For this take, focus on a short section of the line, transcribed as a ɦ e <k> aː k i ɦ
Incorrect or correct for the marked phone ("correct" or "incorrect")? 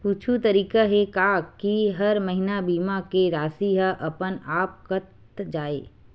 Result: correct